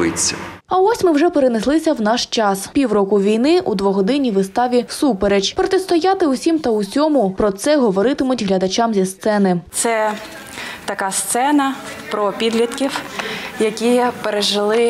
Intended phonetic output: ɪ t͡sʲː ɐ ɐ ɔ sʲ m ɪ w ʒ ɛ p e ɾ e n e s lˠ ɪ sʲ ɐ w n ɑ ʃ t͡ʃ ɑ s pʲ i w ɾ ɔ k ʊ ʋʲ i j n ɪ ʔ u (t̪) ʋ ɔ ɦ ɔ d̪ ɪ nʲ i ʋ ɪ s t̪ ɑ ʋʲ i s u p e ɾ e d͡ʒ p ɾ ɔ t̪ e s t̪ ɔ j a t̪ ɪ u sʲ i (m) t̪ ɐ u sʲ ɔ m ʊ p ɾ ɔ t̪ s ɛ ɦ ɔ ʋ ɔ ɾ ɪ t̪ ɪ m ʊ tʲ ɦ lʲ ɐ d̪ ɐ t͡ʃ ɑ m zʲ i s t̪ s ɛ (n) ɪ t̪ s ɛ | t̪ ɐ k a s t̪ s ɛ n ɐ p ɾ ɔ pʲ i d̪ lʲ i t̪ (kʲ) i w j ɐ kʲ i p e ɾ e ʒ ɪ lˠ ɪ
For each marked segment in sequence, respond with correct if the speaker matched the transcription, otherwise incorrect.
incorrect: d̪, correct, correct, correct

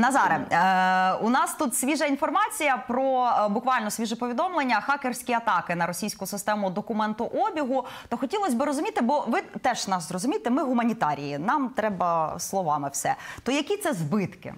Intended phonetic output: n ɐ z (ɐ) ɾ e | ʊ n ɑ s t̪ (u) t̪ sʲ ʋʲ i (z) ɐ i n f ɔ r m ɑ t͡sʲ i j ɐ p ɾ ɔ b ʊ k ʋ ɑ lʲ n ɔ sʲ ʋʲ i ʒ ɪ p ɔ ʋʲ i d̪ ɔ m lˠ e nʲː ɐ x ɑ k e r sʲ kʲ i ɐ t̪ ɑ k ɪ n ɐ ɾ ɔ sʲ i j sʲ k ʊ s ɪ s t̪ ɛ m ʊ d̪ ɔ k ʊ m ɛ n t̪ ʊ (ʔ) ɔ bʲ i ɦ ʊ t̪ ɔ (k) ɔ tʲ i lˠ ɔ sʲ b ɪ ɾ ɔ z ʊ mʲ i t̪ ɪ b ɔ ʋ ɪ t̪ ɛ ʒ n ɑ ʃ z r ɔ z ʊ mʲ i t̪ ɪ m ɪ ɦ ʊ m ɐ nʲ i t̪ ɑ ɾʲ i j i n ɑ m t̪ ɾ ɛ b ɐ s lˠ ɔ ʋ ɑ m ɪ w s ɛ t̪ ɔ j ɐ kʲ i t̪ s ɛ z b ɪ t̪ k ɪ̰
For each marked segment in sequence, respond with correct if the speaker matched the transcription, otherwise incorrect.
incorrect: ɑ, correct, incorrect: ʒ, correct, incorrect: x

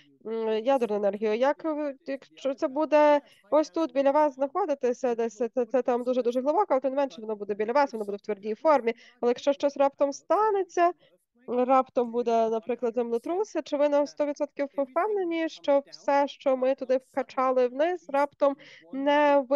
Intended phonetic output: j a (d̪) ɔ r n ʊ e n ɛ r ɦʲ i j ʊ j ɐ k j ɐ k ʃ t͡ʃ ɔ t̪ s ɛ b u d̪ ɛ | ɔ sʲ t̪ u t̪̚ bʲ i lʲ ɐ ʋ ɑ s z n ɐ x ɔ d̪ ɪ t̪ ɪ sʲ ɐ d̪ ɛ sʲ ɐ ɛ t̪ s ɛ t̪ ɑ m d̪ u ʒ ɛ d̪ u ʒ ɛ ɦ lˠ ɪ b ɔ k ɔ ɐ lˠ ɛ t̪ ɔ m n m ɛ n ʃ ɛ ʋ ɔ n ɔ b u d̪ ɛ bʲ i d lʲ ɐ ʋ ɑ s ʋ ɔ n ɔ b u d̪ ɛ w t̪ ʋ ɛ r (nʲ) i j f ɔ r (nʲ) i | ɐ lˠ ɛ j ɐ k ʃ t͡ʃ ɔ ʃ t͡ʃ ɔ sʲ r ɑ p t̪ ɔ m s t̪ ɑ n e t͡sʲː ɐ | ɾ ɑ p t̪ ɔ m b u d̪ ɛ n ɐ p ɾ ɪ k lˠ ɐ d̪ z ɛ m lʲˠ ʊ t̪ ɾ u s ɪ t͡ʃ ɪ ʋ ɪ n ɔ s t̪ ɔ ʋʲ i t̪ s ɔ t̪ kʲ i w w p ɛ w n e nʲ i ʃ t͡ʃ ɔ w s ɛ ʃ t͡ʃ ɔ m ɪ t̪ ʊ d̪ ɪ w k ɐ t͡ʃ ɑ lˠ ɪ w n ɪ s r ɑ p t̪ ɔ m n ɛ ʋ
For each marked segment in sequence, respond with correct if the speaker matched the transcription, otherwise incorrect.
correct, incorrect: dʲ, incorrect: mʲ

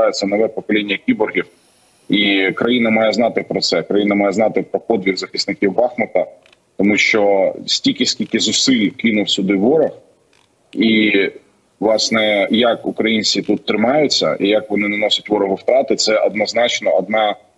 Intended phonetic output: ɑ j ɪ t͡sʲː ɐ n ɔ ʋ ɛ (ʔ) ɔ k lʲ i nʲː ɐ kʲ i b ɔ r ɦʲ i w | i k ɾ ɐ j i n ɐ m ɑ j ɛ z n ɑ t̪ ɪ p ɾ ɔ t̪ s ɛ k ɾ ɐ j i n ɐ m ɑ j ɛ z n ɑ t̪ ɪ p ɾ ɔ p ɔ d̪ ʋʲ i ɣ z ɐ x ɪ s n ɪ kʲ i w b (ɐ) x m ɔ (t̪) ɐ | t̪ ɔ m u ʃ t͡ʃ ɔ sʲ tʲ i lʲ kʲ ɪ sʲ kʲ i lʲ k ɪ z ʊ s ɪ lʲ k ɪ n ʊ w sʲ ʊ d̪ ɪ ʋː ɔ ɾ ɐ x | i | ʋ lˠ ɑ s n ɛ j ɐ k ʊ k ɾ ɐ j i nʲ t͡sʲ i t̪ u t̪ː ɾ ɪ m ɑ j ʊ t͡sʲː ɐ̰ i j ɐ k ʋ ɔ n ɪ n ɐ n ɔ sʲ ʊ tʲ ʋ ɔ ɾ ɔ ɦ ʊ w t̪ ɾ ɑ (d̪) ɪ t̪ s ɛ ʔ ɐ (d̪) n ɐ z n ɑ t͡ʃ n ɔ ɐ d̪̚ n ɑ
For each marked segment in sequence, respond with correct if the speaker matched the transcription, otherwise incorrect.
incorrect: p, incorrect: ɑ, correct, incorrect: t̪, correct

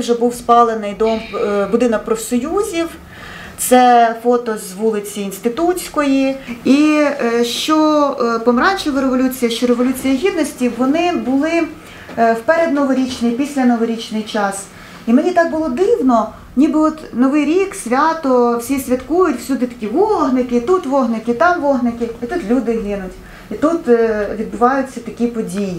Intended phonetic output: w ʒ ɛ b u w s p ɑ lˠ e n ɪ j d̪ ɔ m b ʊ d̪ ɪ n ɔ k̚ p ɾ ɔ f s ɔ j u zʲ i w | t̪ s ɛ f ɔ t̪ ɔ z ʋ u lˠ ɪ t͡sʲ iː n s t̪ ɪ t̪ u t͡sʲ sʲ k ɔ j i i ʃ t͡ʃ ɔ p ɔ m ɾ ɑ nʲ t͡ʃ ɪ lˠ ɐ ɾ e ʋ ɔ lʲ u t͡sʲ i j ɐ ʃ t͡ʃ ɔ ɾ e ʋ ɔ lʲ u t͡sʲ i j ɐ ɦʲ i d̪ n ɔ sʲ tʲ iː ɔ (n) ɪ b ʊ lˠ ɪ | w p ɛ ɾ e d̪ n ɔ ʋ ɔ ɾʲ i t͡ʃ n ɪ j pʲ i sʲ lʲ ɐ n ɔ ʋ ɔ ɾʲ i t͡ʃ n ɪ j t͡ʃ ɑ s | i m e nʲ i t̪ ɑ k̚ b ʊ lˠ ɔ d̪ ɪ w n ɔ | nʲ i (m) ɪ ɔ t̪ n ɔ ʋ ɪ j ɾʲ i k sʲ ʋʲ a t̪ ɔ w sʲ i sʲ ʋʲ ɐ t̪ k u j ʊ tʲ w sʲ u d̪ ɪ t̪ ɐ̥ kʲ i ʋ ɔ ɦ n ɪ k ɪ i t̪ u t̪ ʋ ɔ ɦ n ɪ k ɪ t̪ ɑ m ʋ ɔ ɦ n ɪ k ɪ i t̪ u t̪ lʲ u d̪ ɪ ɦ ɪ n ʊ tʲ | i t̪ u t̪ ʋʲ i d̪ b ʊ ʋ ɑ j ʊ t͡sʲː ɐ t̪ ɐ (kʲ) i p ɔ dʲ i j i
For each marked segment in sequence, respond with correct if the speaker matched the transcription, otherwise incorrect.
correct, incorrect: b, correct

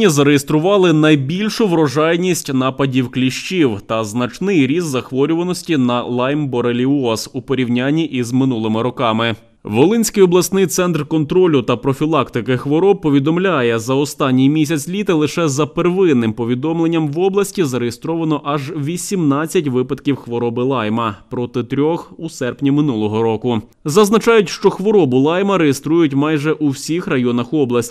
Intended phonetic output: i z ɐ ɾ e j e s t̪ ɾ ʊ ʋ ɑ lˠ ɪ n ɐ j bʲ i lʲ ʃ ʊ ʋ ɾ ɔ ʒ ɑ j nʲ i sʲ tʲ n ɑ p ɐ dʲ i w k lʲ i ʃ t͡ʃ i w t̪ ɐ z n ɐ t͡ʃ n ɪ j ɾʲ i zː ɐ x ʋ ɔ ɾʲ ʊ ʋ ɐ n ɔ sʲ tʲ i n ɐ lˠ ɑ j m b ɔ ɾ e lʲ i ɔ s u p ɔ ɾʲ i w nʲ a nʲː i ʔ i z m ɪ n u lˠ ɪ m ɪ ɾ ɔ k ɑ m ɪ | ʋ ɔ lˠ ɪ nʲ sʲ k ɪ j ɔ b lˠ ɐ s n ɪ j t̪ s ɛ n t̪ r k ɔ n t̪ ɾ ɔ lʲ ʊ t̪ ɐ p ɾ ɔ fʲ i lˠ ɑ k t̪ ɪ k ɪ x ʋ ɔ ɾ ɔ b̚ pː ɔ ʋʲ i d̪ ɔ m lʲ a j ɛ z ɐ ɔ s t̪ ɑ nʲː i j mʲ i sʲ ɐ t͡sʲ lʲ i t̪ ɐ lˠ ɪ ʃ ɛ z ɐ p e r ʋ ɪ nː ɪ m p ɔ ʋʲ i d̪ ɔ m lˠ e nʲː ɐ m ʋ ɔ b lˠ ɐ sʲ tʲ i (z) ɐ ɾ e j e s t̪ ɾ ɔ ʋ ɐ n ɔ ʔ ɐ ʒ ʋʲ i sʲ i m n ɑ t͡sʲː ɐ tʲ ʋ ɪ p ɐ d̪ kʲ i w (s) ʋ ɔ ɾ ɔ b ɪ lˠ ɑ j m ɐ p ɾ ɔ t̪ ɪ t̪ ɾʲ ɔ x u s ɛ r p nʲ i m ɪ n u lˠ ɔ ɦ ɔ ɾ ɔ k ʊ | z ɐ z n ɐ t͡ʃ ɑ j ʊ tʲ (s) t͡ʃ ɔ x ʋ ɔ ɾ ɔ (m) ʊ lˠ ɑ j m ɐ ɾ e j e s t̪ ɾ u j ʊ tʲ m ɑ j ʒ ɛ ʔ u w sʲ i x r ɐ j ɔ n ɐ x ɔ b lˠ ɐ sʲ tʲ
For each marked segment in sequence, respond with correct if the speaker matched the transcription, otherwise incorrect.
correct, incorrect: x, incorrect: ʃ, incorrect: b

